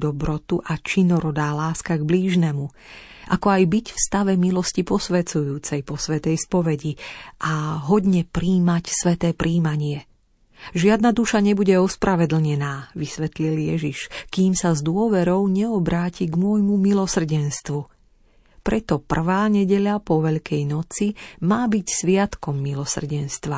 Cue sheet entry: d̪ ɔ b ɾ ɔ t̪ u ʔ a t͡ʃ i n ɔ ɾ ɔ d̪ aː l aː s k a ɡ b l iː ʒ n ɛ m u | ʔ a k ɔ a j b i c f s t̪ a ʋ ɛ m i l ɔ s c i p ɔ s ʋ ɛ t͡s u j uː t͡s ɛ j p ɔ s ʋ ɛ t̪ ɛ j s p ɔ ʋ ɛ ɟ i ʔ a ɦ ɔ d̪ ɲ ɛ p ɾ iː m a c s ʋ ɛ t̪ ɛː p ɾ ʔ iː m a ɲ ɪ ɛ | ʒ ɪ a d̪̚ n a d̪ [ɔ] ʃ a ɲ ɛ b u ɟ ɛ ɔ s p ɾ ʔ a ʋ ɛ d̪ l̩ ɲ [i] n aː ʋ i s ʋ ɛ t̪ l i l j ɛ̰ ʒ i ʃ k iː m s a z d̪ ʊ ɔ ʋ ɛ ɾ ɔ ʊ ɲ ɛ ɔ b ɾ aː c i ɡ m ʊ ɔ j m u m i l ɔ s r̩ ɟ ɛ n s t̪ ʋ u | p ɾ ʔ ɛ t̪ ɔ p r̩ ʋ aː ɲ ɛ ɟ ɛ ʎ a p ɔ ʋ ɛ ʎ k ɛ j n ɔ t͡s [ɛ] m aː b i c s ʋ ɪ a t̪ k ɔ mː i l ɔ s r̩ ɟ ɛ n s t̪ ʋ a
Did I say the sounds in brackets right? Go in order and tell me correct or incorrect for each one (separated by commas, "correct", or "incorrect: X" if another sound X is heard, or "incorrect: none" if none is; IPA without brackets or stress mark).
incorrect: u, incorrect: ɛ, incorrect: i